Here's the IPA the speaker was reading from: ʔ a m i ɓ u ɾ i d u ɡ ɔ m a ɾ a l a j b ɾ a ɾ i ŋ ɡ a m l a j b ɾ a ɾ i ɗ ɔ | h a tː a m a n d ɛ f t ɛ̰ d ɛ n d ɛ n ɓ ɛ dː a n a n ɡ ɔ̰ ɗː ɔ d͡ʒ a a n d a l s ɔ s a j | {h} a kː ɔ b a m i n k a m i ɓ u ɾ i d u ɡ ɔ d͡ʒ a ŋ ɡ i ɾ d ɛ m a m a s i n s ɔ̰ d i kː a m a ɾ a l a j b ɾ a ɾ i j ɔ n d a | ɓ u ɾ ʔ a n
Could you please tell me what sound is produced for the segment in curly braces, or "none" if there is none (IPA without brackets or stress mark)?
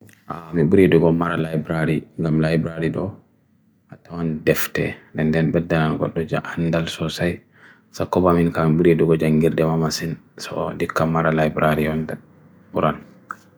s